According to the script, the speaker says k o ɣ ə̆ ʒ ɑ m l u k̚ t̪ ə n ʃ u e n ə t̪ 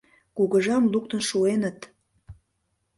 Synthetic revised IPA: k u ɣ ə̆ ʒ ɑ m l u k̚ t̪ ə n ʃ u e n ə t̪